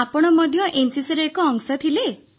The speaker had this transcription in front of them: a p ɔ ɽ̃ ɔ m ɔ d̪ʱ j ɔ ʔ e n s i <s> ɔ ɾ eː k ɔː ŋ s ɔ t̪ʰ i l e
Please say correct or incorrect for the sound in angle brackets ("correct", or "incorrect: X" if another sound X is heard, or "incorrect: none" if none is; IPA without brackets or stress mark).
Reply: correct